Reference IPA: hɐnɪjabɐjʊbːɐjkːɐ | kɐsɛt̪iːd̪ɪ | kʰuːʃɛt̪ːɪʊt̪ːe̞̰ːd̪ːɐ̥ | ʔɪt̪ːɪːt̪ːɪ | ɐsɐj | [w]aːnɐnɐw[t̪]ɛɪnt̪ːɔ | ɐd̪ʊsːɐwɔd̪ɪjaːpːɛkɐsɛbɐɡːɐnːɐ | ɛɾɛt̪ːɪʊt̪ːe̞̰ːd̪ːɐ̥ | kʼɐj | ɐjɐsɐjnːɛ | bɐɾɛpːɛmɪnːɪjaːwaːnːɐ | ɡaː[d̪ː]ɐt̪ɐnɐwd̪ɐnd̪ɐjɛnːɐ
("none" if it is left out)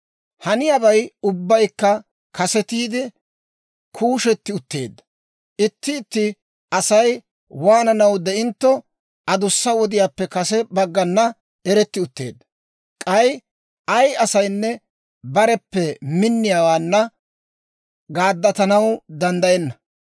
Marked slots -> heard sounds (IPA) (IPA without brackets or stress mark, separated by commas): w, d̪, d̪ː